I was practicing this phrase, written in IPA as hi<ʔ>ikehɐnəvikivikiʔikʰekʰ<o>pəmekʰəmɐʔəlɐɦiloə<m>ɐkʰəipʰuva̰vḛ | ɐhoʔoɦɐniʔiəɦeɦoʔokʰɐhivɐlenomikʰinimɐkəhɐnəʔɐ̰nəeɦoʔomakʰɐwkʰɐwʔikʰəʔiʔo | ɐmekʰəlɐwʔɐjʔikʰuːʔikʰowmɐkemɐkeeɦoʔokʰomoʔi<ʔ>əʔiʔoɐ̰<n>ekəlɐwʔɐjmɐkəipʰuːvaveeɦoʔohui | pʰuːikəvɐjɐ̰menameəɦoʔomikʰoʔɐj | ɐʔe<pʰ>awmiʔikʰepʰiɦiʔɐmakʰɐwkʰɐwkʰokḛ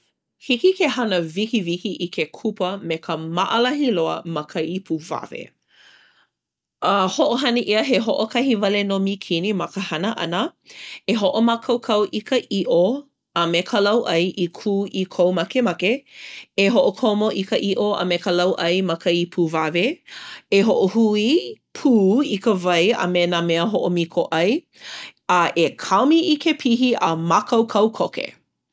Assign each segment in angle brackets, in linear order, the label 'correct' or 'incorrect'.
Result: incorrect: k, incorrect: u, correct, incorrect: k, incorrect: m, incorrect: kʰ

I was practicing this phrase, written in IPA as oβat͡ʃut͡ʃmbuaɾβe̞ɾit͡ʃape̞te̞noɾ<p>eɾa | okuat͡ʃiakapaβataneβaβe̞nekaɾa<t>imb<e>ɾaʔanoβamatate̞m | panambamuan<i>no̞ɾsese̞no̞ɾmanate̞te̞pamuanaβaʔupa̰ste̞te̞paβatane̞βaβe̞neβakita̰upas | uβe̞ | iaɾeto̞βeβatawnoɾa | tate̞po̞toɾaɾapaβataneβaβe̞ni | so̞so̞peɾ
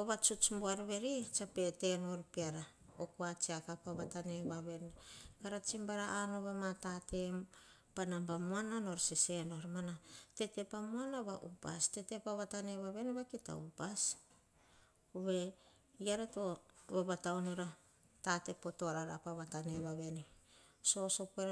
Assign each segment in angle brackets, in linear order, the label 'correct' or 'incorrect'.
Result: correct, incorrect: t͡ʃ, incorrect: a, incorrect: a

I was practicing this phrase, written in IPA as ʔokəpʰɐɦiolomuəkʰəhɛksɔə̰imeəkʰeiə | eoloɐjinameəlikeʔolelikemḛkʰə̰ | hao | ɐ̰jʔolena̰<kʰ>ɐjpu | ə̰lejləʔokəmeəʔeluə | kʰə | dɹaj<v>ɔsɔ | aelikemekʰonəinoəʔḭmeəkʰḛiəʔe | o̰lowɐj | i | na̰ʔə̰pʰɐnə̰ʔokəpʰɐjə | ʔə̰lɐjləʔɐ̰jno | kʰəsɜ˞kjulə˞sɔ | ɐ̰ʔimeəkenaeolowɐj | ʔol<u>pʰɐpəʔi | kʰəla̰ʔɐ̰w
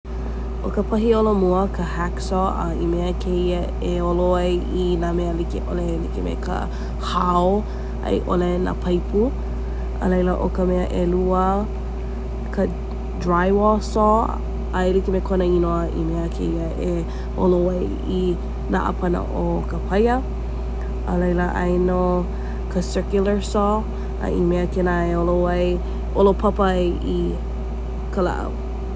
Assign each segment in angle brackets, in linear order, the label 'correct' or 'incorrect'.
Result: incorrect: pʰ, incorrect: w, incorrect: o

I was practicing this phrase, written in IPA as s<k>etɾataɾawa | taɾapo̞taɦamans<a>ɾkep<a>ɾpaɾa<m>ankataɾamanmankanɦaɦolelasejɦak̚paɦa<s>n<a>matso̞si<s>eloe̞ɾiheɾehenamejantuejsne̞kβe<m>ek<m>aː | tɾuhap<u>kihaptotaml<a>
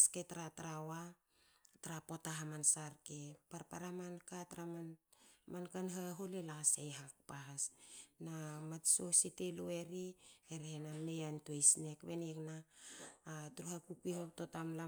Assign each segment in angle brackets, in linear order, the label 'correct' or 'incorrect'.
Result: correct, correct, correct, correct, correct, correct, incorrect: t, incorrect: n, incorrect: n, correct, correct

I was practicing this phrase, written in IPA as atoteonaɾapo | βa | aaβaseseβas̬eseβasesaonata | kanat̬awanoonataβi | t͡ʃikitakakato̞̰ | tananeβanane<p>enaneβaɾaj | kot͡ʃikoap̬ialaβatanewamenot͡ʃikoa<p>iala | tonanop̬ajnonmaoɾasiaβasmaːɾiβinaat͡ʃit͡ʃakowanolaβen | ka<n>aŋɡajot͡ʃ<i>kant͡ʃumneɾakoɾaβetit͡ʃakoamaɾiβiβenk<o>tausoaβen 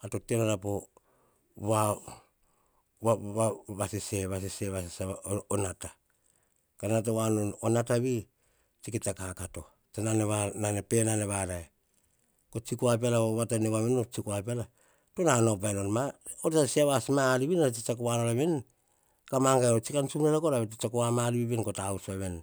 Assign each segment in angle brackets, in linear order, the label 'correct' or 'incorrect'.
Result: correct, correct, incorrect: m, correct, correct

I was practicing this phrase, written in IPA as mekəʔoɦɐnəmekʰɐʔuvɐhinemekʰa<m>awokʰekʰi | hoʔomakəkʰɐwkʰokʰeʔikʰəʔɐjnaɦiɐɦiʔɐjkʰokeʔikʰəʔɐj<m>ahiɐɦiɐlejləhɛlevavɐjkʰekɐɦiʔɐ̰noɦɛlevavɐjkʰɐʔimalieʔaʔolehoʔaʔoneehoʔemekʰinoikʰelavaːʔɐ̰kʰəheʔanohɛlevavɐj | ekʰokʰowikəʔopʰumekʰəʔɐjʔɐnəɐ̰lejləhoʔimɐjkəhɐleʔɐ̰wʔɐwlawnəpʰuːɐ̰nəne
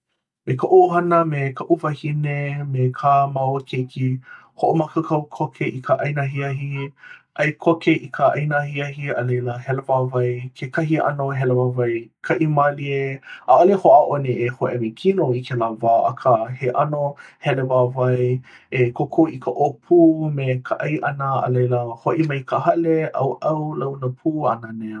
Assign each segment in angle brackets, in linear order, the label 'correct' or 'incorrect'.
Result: correct, incorrect: n

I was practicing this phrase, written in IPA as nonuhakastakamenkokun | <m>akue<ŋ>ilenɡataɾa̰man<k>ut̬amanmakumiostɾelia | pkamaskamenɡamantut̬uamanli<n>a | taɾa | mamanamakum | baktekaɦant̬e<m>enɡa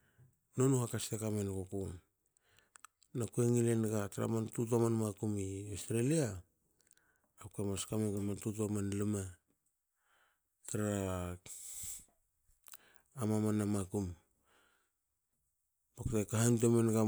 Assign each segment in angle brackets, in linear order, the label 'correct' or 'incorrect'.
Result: incorrect: n, correct, incorrect: t, incorrect: m, correct

